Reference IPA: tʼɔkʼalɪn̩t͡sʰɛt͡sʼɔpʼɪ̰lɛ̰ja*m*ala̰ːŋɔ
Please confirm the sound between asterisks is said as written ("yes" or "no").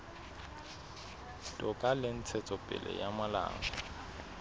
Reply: yes